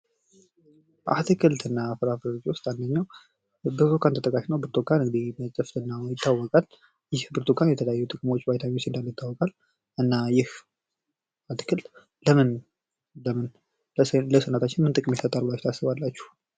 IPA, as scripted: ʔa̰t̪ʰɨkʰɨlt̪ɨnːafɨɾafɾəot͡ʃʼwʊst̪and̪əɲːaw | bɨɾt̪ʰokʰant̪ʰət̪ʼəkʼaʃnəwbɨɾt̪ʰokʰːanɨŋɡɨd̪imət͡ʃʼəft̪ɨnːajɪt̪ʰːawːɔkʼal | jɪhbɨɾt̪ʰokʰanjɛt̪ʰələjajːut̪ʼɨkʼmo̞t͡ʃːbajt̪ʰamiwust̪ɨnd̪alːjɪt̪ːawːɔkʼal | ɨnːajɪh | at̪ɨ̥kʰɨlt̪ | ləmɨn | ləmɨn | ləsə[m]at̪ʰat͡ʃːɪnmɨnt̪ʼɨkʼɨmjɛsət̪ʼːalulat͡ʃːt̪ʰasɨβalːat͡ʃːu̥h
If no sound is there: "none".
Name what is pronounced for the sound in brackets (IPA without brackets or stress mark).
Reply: n